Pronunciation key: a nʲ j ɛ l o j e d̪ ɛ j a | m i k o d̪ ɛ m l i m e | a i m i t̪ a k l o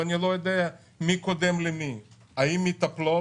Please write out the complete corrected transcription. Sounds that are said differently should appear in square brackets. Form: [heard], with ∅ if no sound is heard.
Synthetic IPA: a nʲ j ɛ l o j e d̪ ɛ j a | m i k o d̪ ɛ m l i m [i] | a i m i t̪ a [p] l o